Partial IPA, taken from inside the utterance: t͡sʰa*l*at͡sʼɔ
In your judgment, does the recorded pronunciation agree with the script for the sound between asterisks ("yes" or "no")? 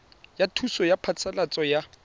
yes